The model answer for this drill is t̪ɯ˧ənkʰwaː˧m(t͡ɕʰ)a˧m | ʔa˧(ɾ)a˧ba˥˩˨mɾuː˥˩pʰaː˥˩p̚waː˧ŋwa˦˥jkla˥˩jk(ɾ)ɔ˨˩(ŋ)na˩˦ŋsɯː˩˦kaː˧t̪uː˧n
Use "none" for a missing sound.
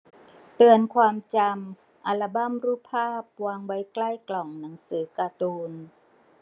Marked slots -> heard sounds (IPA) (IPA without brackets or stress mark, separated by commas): t͡ɕ, l, l, ŋ